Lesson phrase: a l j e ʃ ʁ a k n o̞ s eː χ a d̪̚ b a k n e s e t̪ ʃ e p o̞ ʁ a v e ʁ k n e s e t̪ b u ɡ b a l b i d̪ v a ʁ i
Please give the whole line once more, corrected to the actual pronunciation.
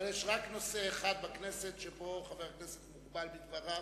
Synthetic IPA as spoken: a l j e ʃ ʁ a k n o̞ s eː χ a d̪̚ b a k n e s e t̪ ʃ e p o̞ χ a v e ʁ k n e s e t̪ m u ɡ b a l b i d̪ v a ʁ a